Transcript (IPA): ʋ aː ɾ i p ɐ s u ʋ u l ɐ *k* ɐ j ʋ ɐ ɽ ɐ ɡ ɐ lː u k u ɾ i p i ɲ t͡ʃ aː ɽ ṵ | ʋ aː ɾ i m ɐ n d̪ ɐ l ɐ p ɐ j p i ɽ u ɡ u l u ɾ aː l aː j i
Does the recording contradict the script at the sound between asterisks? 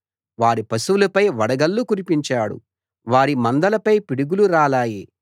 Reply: yes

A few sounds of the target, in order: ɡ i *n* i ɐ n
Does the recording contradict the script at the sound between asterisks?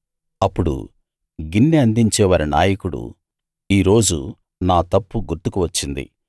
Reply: yes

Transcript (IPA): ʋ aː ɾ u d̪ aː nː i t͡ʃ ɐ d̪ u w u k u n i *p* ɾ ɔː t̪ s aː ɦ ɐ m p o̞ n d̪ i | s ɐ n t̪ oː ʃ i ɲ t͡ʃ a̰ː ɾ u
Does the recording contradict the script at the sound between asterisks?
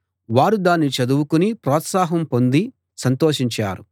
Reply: no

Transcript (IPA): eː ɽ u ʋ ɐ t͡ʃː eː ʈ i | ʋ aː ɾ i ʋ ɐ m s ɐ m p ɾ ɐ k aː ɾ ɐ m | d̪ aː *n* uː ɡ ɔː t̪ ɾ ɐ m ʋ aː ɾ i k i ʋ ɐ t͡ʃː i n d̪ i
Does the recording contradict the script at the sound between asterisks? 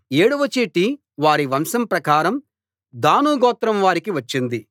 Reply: no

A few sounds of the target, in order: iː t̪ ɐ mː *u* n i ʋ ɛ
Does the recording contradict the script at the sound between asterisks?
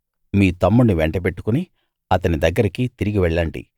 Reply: no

